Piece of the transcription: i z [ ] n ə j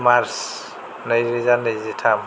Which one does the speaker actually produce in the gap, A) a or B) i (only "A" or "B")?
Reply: A